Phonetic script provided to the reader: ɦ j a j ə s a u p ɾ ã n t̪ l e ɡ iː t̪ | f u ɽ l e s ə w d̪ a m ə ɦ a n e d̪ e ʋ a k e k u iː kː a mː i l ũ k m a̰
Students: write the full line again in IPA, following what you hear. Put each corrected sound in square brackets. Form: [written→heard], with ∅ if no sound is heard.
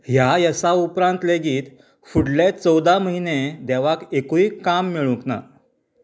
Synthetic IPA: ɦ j a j ə s a u p ɾ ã n t̪ l e ɡ iː t̪ | f u ɽ l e [s→t͡s] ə w d̪ a m ə ɦ [a→i] n e d̪ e ʋ a k e k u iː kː a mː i [l→ɭ] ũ k [m→n] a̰

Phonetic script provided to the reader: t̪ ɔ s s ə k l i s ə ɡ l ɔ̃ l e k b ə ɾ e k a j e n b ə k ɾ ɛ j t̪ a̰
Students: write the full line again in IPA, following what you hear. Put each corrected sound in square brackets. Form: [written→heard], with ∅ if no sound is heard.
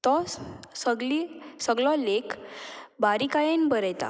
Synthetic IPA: t̪ ɔ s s ə [k→ɡ] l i s ə ɡ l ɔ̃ l e k b [ə→a] ɾ [e→i] k a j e n b ə [k→∅] ɾ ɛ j t̪ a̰

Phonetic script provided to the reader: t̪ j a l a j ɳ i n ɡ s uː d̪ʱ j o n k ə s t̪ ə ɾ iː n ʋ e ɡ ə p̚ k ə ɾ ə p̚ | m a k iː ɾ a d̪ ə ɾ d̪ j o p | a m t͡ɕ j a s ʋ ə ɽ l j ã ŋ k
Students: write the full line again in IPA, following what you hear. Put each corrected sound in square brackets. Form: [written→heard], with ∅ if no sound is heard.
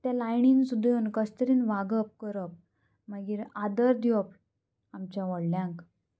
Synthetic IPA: t̪ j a l a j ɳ i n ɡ s [uː→u] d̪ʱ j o n k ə s t̪ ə ɾ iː n ʋ [e→a] ɡ ə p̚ k ə ɾ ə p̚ | m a [k→ɡ] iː ɾ a d̪ ə ɾ d̪ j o p | a m t͡ɕ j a [s→∅] ʋ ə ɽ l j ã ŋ k

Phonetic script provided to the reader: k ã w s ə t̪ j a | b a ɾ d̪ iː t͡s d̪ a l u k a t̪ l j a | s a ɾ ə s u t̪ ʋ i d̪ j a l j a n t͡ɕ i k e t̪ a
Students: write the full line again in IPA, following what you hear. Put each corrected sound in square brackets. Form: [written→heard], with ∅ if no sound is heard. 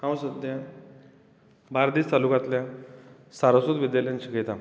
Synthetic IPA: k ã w s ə [t̪→d̪] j a | b a ɾ d̪ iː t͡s [d̪→t̪] a l u k a t̪ l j a | s a ɾ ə s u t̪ ʋ i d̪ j a l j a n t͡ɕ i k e t̪ a

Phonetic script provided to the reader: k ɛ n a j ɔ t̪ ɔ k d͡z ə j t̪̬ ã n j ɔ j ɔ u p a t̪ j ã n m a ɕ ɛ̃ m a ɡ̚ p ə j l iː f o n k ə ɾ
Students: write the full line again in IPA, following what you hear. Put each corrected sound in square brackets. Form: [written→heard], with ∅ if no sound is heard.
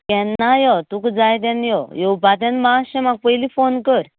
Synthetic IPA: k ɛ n a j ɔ t̪ [ɔ→u] k d͡z [ə→a] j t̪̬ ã n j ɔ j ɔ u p a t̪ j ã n m a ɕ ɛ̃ m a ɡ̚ p ə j l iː f o n k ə ɾ

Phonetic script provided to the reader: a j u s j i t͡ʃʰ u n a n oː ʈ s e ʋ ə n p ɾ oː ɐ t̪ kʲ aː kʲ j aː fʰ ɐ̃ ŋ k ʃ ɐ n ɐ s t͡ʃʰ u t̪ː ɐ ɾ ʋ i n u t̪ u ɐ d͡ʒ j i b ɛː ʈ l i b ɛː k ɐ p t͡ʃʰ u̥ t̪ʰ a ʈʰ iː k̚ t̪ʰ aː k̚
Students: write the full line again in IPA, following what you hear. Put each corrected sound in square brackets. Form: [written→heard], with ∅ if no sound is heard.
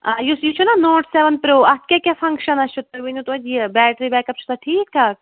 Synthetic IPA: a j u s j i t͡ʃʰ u n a n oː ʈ s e ʋ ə n p ɾ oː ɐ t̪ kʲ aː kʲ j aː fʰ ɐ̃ ŋ k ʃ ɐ n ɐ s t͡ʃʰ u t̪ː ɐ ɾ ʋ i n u t̪ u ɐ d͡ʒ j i b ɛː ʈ [l→ɾ] i b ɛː k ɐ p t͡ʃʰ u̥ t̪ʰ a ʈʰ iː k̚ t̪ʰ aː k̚

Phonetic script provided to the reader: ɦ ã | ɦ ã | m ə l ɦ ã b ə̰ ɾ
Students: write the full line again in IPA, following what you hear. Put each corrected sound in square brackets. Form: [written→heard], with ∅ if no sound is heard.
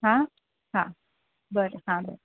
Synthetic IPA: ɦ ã | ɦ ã | [m→b] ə [l→ɾ] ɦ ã b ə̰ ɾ

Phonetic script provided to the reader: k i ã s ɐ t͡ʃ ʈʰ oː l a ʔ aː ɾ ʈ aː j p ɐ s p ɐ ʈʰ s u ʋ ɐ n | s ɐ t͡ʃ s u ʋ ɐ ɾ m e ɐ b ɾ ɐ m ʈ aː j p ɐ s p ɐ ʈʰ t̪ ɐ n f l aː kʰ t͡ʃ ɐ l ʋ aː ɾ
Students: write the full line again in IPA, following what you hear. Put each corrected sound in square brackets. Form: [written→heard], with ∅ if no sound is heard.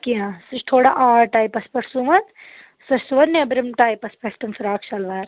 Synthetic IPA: k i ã s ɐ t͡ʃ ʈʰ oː [l→ɽ] a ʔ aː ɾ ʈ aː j p ɐ s p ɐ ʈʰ s u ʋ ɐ n | s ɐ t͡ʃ s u ʋ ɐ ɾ [m→n] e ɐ b ɾ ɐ m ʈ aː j p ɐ s p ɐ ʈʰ t̪ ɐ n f [l→ɾ] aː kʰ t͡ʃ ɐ l ʋ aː ɾ

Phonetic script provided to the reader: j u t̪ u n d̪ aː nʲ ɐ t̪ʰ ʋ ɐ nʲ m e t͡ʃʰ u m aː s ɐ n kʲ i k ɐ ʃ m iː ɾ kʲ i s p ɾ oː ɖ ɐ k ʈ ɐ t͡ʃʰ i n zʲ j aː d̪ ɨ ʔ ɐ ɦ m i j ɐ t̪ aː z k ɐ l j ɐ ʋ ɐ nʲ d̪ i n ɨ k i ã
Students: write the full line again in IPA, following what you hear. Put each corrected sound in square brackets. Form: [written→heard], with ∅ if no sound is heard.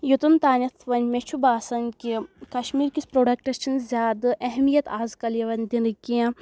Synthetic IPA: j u t̪ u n [d̪→t̪] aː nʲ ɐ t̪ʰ ʋ ɐ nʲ m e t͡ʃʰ u [m→b] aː s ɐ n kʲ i k ɐ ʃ m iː ɾ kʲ i s p ɾ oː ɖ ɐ k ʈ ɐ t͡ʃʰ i n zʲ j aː d̪ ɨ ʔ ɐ ɦ m i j ɐ t̪ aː z k ɐ l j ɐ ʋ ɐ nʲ d̪ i n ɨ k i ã

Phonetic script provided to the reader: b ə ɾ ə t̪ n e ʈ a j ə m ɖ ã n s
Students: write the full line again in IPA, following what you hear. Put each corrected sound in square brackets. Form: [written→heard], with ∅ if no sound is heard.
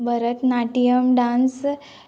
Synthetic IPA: b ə ɾ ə t̪ n [e→a] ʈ [a→i] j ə m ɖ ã n s

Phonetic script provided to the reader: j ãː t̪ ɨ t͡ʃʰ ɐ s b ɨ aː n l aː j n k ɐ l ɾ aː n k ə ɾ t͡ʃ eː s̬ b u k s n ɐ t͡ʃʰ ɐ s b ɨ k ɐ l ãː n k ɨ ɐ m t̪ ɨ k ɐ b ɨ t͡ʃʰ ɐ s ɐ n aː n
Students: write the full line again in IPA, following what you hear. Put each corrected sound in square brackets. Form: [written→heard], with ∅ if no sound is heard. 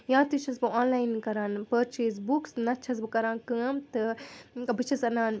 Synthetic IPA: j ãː t̪ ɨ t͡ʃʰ ɐ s b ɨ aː n l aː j n k ɐ [l→∅] ɾ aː n [k→p] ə ɾ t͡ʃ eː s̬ b u k s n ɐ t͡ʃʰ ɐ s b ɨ k ɐ [l→ɾ] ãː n k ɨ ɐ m t̪ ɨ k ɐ b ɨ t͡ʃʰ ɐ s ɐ n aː n

